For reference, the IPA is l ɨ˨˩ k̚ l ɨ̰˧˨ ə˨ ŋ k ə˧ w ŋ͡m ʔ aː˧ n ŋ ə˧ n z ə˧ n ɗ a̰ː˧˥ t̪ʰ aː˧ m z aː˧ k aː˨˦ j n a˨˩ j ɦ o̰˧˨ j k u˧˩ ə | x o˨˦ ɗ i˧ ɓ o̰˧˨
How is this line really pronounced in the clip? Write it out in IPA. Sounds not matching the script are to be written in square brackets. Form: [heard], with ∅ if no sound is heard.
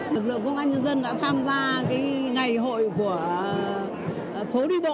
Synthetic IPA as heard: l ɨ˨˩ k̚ l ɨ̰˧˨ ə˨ ŋ k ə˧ w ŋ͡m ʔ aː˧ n [ɲ] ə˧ n z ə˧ n ɗ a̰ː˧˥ t̪ʰ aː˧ m z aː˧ k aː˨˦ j [ŋ] a˨˩ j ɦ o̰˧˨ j k u˧˩ ə | [f] o˨˦ ɗ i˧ ɓ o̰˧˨